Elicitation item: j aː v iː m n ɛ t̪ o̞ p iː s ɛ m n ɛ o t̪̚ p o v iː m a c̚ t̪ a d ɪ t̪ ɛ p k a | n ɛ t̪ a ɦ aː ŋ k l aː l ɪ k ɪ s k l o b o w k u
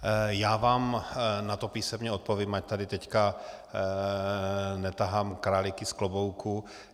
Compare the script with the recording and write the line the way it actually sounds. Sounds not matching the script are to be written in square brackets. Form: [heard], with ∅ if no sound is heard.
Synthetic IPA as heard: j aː v [aː] m n [a] t̪ o̞ p iː s ɛ m [ɲ] ɛ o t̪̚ p o v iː m a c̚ t̪ a d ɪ t̪ ɛ [c] k a | n ɛ t̪ a ɦ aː [m] k [ɾ] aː l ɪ k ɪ s k l o b o w k u